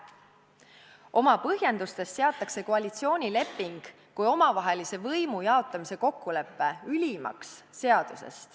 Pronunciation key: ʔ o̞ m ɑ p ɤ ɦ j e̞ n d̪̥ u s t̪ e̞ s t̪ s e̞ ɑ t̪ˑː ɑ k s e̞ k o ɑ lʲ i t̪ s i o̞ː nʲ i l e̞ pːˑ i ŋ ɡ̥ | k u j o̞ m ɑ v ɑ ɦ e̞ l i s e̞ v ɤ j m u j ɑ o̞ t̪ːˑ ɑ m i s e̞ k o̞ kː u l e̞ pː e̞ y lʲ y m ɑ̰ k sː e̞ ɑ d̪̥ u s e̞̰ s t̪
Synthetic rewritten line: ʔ o̞ m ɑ p ɤ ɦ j e̞ n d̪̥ u s t̪ e̞ s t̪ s e̞ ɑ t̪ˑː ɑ k s e̞ k o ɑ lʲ i t̪ s i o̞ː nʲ i l e̞ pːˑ i ŋ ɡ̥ | k u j o̞ m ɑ v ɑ ɦ e̞ l i s e̞ v ɤ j m u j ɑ o̞ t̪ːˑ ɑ m i s e̞ k o̞ kː u l e̞ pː e̞ y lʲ i m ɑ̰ k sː e̞ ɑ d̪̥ u s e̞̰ s t̪

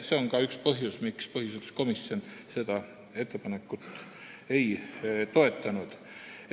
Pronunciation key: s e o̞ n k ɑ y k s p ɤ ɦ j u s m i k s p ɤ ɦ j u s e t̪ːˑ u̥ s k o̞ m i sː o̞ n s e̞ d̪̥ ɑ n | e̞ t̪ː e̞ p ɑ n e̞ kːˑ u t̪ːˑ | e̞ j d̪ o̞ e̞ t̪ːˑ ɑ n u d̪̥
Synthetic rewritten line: s e o̞ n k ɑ y k s p ɤ ɦ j u s m i k s p ɤ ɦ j u s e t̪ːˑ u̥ s k o̞ m i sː o̞ n s e̞ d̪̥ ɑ | e̞ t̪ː e̞ p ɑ n e̞ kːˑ u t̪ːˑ | e̞ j t̪ o̞ e̞ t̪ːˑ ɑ n u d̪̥

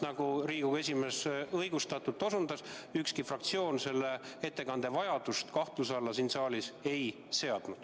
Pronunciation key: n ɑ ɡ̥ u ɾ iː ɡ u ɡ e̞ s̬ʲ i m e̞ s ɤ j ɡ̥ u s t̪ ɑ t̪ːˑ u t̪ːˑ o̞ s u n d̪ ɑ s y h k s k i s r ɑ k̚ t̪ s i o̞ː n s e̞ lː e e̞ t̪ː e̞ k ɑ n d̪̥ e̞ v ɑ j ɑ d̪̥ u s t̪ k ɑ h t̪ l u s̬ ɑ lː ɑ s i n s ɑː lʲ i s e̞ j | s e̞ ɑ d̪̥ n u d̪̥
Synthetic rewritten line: n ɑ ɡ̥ u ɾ iː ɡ u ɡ e̞ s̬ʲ i m e̞ s ɤ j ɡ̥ u s t̪ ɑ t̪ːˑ u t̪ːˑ o̞ s u n d̪ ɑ s y k s k i f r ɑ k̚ t̪ s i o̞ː n s e̞ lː e e̞ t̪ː e̞ k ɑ n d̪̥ e̞ v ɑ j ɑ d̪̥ u s t̪ k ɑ h t̪ l u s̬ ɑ lː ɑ s i n s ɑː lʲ i s e̞ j | s e̞ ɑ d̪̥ n u d̪̥

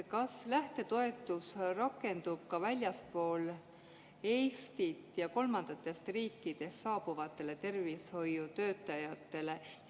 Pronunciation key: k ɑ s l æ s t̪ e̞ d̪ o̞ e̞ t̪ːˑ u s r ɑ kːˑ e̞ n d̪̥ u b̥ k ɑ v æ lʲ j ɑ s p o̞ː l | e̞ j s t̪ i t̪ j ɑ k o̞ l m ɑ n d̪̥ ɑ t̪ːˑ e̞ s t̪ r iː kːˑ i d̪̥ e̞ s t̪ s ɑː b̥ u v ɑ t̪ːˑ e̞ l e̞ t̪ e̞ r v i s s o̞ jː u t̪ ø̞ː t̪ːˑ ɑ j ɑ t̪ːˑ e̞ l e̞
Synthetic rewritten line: k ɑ s l æ h t̪ e̞ t̪ o̞ e̞ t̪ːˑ u s r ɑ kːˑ e̞ n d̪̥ u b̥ k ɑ v æ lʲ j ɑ s p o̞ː l | e̞ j s t̪ i t̪ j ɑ k o̞ l m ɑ n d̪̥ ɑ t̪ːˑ e̞ s t̪ r iː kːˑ i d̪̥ e̞ s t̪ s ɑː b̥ u v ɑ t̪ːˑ e̞ l e̞ t̪ e̞ r v i s h o̞ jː u t̪ ø̞ː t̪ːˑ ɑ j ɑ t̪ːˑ e̞ l e̞

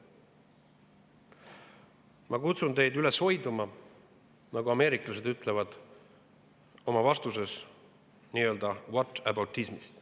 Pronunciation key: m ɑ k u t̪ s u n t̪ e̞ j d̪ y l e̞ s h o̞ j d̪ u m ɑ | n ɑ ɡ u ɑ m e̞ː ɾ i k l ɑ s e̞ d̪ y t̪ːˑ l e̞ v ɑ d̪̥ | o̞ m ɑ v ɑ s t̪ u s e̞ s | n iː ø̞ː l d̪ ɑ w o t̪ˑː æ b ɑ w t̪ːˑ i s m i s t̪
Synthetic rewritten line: m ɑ k u t̪ s u n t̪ e̞ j d̪ y l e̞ s h o̞ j d̪ u m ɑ | n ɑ ɡ u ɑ m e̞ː ɾ i k l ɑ s e̞ d̪ y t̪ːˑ l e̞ v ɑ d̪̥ | o̞ m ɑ v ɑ s t̪ u s e̞ s | n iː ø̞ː l d̪ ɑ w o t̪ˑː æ b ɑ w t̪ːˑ i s m i s t̪

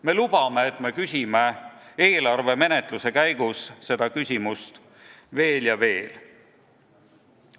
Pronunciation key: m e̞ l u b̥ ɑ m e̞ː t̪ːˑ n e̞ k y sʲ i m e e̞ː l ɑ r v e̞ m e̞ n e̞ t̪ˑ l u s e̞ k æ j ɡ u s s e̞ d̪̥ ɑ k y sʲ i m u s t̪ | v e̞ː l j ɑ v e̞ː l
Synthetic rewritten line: m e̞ l u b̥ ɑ m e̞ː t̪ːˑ m e̞ k y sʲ i m e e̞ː l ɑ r v e̞ m e̞ n e̞ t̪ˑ l u s e̞ k æ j ɡ u s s e̞ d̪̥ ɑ k y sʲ i m u s t̪ | v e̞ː l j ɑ v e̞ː l

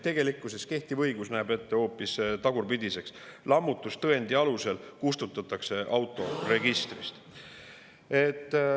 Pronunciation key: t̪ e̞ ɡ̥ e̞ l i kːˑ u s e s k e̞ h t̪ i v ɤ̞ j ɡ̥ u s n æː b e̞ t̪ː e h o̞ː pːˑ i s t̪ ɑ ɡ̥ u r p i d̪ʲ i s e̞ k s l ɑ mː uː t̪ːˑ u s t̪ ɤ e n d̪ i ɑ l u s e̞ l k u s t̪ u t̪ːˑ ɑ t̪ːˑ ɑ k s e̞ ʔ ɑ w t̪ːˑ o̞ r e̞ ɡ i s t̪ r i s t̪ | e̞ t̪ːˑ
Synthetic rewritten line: t̪ e̞ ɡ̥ e̞ l i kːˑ u s e s k e̞ h t̪ i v ɤ̞ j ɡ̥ u s n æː b e̞ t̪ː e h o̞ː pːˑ i s t̪ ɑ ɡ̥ u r p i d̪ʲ i s e̞ k s l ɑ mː u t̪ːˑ u s t̪ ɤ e n d̪ i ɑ l u s e̞ l k u s t̪ u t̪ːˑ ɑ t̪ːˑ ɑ k s e̞ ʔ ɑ w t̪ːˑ o̞ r e̞ ɡ i s t̪ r i s t̪ | e̞ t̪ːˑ

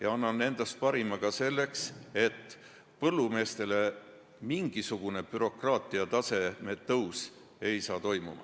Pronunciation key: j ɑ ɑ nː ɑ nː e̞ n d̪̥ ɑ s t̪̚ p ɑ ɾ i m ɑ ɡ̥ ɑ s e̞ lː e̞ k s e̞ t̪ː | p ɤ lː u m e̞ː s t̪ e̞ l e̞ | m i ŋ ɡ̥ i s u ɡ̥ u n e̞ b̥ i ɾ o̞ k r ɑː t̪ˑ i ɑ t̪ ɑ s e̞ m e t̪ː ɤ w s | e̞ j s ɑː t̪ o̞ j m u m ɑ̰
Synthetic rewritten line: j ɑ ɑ nː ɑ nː e̞ n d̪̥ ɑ s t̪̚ p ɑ ɾ i m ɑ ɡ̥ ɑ s e̞ lː e̞ k s e̞ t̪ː | p ɤ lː u m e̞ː s t̪ e̞ l e̞ | m i ŋ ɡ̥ i s u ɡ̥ u n e̞ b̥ y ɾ o̞ k r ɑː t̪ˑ i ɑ t̪ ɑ s e̞ m e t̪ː ɤ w s | e̞ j s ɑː t̪ o̞ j m u m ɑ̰

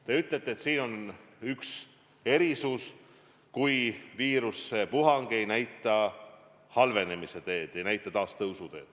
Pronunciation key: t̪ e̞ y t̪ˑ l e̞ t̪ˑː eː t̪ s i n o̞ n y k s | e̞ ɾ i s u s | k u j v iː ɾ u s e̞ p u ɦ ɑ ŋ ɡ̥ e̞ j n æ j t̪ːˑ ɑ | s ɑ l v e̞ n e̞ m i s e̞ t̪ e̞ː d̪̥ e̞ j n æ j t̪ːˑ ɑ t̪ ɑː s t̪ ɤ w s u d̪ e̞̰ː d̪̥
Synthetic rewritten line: t̪ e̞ y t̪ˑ l e̞ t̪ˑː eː t̪ s iː n o̞ n y k s | e̞ ɾ i s u s | k u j v iː ɾ u s e̞ p u ɦ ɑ ŋ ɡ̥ e̞ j n æ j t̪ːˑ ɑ | h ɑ l v e̞ n e̞ m i s e̞ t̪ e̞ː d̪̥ e̞ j n æ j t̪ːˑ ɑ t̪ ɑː s t̪ ɤ w s u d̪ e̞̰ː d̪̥

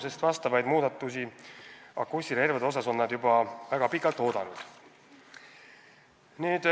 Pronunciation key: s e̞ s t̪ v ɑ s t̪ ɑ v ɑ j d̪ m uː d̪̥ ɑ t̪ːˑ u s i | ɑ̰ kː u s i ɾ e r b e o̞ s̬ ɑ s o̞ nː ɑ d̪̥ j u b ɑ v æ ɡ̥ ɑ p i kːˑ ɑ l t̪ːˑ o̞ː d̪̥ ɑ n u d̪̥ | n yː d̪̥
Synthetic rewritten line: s e̞ s t̪ v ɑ s t̪ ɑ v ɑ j d̪ m uː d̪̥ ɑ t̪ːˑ u s i | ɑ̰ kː u s i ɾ e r v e o̞ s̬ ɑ s o̞ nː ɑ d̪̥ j u b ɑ v æ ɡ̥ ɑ p i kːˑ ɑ l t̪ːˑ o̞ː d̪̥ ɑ n u d̪̥ | n iː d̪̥

